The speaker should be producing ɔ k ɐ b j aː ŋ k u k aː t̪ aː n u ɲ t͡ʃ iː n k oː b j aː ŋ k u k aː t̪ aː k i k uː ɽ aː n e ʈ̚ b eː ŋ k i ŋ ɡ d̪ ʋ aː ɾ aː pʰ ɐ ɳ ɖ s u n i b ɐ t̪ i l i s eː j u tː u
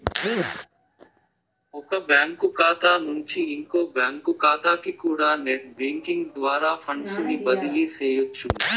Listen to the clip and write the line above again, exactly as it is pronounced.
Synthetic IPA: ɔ k ɐ b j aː ŋ k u k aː t̪ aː n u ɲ t͡ʃ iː ŋ k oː b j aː ŋ k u k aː t̪ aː k i k uː ɽ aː n e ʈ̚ b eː ŋ k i ŋ ɡ d̪ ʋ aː ɾ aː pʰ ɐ ɳ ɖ s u n i b ɐ d̪ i l i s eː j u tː u